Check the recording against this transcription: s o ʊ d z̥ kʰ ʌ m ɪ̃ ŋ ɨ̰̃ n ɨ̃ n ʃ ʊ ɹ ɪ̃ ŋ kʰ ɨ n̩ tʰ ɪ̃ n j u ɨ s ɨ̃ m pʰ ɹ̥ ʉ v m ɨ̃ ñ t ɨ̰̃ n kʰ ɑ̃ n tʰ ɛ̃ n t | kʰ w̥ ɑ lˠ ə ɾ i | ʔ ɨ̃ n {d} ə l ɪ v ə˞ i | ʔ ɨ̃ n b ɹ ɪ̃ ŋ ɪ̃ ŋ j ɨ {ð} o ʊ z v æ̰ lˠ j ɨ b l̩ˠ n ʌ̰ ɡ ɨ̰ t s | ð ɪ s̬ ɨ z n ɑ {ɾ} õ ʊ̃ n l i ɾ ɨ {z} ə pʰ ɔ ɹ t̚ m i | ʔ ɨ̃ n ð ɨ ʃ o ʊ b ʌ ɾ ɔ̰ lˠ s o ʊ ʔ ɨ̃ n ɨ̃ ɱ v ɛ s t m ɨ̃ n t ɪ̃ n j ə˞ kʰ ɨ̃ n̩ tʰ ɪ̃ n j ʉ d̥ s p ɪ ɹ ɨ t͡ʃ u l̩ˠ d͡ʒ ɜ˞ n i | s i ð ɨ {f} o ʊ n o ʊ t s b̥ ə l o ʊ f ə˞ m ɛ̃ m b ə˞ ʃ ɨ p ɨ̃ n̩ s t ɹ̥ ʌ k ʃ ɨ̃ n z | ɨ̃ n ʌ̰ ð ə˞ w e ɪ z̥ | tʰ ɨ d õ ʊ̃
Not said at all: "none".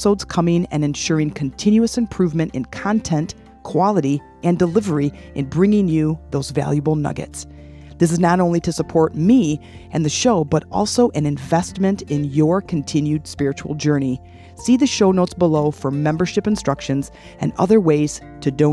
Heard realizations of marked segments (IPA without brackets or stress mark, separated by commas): d, ð, ɾ, s, ʃ